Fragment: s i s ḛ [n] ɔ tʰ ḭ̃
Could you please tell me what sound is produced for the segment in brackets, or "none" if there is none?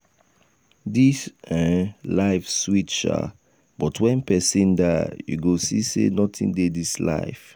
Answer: n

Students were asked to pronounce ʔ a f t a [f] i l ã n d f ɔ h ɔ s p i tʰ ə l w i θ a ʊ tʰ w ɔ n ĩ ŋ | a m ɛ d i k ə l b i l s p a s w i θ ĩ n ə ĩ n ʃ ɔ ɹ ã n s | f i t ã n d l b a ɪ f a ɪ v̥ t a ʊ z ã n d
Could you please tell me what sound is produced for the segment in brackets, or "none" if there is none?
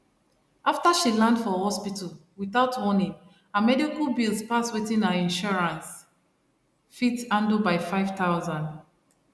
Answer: ʃ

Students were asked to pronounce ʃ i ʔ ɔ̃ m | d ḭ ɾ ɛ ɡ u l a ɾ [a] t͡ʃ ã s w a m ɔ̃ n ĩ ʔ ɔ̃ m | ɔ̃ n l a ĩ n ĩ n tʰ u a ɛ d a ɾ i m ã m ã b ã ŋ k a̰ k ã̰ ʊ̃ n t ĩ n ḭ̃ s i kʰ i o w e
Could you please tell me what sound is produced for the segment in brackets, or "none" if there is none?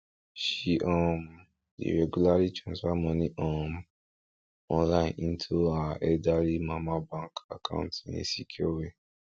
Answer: i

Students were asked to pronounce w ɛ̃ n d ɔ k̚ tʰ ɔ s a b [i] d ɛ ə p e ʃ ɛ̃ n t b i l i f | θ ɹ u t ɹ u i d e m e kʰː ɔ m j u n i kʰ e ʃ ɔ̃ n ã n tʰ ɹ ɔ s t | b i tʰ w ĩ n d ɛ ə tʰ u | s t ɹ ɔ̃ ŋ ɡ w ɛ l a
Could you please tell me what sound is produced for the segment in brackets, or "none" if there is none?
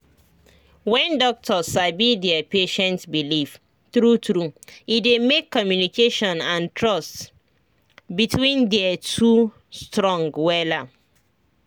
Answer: i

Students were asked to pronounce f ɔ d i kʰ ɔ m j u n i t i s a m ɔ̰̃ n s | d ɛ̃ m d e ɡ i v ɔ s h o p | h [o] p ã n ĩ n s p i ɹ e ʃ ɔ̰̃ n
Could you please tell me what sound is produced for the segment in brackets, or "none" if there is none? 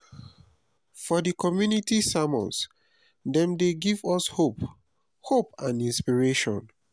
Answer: o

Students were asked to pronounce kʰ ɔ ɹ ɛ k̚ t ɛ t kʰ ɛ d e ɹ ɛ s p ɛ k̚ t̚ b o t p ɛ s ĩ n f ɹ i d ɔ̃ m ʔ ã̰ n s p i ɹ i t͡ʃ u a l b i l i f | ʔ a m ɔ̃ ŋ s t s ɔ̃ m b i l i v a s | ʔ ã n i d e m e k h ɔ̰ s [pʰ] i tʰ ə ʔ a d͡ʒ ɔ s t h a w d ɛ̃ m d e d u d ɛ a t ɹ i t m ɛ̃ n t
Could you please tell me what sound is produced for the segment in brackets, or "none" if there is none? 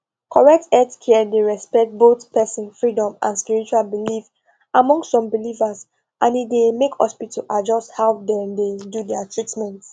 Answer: p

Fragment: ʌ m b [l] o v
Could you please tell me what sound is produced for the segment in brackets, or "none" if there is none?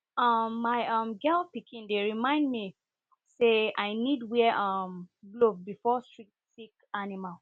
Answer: l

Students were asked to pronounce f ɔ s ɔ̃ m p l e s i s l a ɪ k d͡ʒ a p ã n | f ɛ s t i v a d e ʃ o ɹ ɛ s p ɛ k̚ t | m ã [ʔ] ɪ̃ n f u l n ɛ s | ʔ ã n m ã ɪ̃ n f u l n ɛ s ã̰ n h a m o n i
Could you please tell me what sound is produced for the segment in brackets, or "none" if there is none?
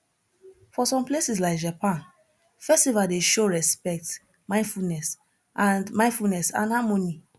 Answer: none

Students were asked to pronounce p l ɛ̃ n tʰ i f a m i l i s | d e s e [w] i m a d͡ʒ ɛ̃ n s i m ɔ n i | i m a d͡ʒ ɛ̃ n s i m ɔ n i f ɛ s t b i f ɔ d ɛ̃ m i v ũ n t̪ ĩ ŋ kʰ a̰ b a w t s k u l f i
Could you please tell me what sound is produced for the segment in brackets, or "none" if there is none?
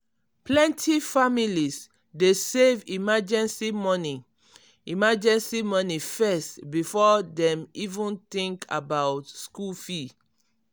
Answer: v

